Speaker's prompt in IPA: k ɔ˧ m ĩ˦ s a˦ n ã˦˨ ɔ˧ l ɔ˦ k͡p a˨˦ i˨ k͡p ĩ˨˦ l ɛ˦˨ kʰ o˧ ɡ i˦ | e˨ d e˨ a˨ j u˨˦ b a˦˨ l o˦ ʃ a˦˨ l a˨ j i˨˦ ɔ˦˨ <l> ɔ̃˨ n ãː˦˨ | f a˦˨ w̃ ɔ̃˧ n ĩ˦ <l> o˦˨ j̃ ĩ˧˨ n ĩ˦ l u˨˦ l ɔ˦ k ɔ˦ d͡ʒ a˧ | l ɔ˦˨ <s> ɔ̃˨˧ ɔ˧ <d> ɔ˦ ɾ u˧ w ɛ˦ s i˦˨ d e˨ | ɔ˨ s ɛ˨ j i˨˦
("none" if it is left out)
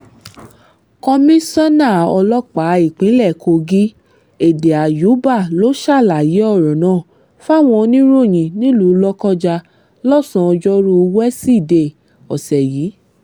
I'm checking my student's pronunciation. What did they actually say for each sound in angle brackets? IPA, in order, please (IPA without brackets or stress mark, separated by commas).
ɾ, ɾ, s, d͡ʒ